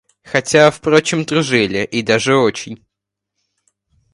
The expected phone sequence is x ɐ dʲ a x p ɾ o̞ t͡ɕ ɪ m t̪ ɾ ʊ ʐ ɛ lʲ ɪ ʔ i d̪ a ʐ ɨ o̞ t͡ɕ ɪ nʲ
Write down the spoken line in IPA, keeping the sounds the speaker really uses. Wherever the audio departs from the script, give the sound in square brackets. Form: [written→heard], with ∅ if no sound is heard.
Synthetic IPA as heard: x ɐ [dʲ→tʲ] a [x→f] p ɾ o̞ t͡ɕ ɪ m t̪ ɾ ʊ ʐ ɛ lʲ ɪ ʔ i d̪ a ʐ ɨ o̞ t͡ɕ ɪ nʲ